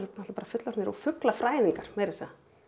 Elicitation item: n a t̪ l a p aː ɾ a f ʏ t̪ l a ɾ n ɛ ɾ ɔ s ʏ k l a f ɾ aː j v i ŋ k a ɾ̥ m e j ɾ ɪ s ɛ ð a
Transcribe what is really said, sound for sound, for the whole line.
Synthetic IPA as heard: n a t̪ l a p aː ɾ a f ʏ t̪ l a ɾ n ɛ ɾ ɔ f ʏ k l a f ɾ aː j ð i ŋ k a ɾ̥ m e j ɾ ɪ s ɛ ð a